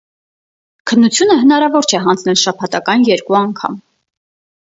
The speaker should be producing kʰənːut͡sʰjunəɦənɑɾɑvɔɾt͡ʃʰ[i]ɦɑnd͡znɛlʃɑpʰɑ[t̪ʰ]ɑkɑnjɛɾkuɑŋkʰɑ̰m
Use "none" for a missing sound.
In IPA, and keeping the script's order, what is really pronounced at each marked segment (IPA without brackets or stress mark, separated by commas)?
ɛ, t̪